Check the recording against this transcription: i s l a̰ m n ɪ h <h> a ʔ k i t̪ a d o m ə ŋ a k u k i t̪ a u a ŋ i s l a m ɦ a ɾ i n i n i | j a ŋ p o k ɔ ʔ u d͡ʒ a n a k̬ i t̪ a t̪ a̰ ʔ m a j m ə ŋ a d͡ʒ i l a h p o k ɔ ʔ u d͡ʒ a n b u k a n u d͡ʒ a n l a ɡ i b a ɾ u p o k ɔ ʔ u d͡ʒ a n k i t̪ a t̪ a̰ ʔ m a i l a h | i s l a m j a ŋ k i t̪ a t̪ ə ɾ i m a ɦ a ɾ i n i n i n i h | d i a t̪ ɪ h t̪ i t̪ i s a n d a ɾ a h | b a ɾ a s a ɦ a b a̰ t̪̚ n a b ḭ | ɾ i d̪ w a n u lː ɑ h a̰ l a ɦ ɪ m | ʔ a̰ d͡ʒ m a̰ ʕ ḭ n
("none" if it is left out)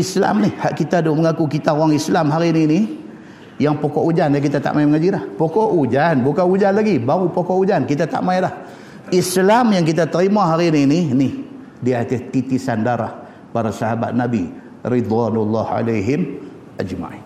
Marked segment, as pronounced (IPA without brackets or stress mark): h